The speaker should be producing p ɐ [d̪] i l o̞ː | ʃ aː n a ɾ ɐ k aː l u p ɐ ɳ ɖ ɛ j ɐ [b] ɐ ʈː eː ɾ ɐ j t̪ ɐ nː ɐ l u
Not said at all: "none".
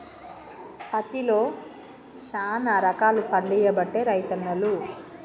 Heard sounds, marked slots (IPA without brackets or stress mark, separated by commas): t̪, b